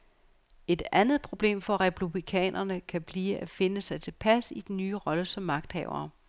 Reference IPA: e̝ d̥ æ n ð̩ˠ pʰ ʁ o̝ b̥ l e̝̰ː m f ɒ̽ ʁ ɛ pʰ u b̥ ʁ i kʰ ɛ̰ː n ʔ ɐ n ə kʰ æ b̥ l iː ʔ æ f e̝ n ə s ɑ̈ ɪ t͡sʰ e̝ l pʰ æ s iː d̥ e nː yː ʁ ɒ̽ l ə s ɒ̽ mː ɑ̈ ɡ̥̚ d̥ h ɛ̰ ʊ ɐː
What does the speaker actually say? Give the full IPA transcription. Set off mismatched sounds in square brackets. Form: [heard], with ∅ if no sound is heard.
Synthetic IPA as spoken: e̝ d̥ æ n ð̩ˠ pʰ ʁ o̝ b̥ l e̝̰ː m f ɒ̽ ʁ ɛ pʰ u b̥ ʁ i kʰ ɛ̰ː n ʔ ɐ n ə kʰ æ b̥ l iː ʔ æ f e̝ n ə s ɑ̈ ɪ t͡sʰ e̝ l pʰ æ s [i] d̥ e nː yː ʁ ɒ̽ l ə s ɒ̽ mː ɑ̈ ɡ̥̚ d̥ h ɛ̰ ʊ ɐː